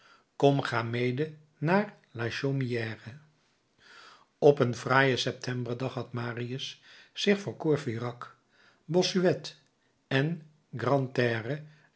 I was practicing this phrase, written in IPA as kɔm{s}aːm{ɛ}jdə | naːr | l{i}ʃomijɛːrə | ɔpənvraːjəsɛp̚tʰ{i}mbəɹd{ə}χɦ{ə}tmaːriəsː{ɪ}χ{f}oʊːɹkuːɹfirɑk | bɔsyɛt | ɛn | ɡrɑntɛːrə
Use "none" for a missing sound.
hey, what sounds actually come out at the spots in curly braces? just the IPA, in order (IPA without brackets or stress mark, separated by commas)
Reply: χ, e, a, ɛ, ɑ, ɑ, ɪ, f